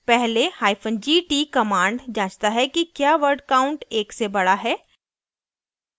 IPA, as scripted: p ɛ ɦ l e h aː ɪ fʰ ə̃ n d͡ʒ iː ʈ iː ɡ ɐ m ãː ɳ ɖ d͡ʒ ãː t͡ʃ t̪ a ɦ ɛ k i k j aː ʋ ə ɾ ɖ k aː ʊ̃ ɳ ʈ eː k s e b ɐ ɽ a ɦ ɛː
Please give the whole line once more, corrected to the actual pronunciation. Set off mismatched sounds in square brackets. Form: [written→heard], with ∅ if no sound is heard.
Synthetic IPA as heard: p ɛ ɦ l e h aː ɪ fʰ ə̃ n d͡ʒ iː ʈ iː [ɡ→k] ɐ m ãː ɳ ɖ d͡ʒ ãː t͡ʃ t̪ a ɦ ɛ k i k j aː ʋ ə ɾ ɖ k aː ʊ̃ ɳ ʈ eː k s e b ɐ ɽ a ɦ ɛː